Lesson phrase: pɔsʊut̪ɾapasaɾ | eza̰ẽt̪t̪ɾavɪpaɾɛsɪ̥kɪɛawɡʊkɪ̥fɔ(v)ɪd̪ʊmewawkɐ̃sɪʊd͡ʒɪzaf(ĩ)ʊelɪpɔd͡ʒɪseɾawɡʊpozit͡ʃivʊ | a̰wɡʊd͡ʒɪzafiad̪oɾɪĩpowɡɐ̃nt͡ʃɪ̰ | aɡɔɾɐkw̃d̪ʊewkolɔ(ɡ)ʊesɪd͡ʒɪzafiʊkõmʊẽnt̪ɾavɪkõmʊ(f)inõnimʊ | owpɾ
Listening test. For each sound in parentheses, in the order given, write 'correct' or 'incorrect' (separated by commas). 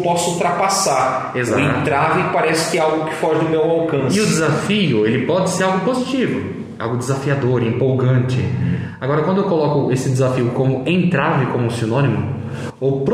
incorrect, incorrect, incorrect, incorrect